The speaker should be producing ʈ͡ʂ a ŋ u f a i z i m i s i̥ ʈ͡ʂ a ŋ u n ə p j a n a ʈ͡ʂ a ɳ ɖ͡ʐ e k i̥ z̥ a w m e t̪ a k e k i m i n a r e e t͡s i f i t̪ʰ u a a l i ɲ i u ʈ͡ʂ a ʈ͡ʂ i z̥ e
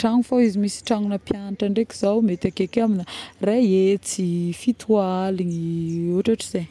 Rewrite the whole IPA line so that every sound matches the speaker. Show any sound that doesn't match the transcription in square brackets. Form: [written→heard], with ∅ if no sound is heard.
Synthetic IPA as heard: ʈ͡ʂ a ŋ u f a i z i m i s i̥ ʈ͡ʂ a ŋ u n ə p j a n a ʈ͡ʂ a ɳ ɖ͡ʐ e k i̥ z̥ a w m e t̪ a k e k [i→a] m i n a r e e t͡s i f i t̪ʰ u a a l i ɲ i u ʈ͡ʂ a ʈ͡ʂ i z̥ e